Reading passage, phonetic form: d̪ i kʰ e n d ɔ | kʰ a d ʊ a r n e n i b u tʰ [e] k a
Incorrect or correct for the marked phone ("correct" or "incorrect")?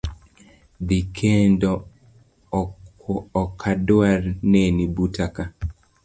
incorrect